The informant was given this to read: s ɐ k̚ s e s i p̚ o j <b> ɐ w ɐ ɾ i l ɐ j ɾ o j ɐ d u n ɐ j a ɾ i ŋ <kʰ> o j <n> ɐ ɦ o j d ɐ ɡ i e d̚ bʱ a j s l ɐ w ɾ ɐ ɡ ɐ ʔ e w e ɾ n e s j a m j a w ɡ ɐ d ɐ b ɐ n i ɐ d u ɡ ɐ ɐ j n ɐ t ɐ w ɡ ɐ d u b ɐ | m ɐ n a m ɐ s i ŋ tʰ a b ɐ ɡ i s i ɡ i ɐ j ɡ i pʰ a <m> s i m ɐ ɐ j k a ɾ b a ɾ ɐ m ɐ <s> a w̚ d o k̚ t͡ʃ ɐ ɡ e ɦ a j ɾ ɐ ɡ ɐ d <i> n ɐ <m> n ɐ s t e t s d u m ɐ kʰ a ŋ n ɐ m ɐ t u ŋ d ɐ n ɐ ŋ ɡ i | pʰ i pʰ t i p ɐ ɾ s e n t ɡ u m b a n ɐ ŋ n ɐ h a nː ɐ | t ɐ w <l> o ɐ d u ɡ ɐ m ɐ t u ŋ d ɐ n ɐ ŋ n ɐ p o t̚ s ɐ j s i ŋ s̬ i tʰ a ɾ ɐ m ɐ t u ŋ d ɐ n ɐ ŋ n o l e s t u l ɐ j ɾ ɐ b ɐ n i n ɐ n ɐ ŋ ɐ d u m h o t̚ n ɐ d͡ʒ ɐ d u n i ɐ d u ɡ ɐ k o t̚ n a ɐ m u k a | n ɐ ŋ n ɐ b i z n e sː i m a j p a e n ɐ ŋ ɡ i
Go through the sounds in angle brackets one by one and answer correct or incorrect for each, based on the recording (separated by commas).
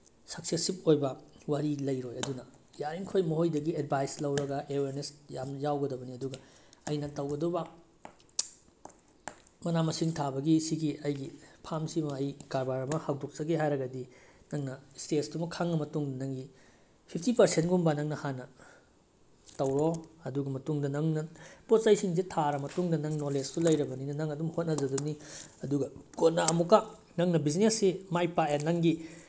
correct, correct, incorrect, correct, incorrect, correct, incorrect, incorrect